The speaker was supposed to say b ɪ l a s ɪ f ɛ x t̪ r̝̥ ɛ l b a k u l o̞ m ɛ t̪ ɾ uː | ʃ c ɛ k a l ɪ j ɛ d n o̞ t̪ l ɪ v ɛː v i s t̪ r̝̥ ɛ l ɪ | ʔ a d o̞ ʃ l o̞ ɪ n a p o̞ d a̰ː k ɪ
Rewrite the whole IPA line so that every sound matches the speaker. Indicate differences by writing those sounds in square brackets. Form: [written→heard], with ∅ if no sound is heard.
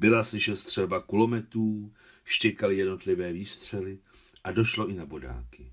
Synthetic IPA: b ɪ l a s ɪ [f→ʃ] ɛ [x→s] t̪ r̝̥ ɛ l b a k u l o̞ m ɛ t̪ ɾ uː | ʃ c ɛ k a l ɪ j ɛ d n o̞ t̪ l ɪ v ɛː v [i→iː] s t̪ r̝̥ ɛ l ɪ | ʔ a d o̞ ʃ l o̞ ɪ n a [p→b] o̞ d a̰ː k ɪ